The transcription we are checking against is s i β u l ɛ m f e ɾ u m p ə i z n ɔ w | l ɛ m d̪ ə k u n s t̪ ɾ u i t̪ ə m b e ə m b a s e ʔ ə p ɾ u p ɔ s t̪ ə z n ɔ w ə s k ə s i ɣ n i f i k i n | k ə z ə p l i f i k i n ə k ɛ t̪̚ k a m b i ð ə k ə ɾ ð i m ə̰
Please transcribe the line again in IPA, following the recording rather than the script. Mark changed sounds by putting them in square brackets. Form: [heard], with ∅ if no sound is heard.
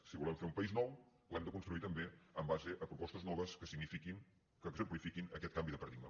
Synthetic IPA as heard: s i β u l ɛ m f e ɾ u m p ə i z n ɔ w | l ɛ m d̪ ə k u n s t̪ ɾ u i t̪ ə m b e ə m b a [z] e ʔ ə p ɾ u p ɔ s t̪ ə z n ɔ [β] ə s k ə s i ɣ n i f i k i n | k ə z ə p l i f i k i n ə k ɛ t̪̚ k a m b i ð ə [p] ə ɾ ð i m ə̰